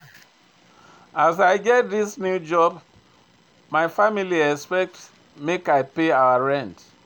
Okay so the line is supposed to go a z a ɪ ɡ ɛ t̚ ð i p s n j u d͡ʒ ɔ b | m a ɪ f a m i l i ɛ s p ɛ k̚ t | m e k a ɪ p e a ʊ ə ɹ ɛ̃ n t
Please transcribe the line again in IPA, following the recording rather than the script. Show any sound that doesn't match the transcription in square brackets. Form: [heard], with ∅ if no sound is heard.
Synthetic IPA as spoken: a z a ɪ ɡ ɛ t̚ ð i [∅] s n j u d͡ʒ ɔ b | m a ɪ f a m i l i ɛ s p ɛ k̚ t | m e k a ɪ p e a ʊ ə ɹ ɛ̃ n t